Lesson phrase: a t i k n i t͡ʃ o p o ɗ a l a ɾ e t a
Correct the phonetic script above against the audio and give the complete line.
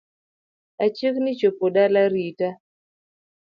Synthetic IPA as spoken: a t͡ʃ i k n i t͡ʃ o p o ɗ a l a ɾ i t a